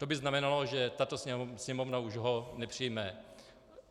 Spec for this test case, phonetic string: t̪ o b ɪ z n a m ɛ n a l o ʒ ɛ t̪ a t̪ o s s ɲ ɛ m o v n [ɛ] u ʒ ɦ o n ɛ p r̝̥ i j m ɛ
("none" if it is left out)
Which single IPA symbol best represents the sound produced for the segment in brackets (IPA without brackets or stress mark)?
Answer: a